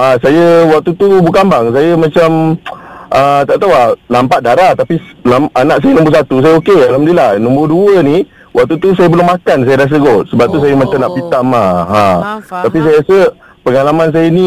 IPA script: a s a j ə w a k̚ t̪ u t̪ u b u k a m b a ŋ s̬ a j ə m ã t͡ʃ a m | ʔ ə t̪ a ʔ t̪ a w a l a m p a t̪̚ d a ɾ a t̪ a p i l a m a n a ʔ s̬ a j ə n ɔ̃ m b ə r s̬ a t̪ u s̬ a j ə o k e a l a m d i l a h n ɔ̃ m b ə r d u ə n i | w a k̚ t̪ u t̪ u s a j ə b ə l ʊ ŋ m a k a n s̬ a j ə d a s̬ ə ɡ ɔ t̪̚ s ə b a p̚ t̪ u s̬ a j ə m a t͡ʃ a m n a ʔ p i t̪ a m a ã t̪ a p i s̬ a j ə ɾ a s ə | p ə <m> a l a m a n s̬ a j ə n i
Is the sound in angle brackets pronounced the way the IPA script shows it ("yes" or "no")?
no